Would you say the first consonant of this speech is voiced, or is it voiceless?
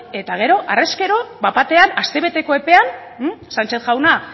voiceless